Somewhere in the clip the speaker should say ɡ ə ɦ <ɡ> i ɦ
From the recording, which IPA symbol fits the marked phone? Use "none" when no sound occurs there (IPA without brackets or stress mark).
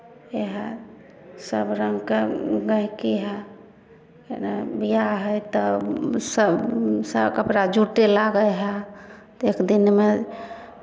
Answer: k